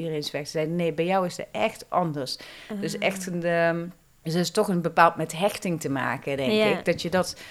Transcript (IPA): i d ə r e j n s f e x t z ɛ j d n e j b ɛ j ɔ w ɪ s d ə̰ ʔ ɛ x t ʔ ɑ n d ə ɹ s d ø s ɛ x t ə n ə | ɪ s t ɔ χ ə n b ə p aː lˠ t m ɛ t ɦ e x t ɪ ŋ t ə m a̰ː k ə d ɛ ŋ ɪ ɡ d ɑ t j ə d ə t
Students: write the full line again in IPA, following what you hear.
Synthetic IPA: i d ə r e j n s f ɛ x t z ɛ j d n e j b ɛ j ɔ w ɪ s d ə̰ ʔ ɛ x t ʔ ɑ n d ə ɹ s d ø s ɛ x t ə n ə | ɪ s t ɔ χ ə n b ə p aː lˠ t m ɛ t ɦ ɛ x t ɪ ŋ t ə m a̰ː k ə d ɛ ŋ ɪ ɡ d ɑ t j ə d ɑ t